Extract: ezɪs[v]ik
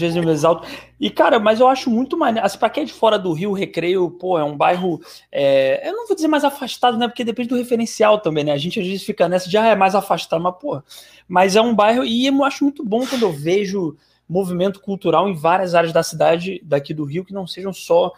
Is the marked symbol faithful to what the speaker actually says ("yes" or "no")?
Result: no